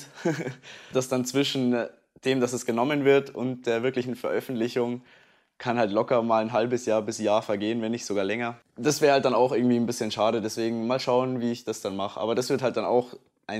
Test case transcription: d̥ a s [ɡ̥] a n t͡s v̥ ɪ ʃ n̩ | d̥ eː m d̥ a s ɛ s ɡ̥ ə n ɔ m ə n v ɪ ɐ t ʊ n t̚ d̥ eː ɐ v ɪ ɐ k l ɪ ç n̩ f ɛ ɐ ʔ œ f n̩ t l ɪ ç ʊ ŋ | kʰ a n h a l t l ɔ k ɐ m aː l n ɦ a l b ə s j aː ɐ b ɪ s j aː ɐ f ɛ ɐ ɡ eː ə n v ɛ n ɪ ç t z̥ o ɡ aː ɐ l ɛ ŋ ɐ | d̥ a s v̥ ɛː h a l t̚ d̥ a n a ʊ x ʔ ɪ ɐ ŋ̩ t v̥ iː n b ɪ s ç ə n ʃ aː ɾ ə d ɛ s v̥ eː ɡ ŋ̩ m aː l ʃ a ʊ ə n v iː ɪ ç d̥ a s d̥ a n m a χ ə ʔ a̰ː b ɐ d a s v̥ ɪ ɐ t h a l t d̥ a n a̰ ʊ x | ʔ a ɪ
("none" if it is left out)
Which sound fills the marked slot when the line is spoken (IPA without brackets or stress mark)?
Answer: d̥